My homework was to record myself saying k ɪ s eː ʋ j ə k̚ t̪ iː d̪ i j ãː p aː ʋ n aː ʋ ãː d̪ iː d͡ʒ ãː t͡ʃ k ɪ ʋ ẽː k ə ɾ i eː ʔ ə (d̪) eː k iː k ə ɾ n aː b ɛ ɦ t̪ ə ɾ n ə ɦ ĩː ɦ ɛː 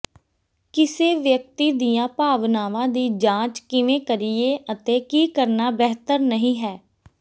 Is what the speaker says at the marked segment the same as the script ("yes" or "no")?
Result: no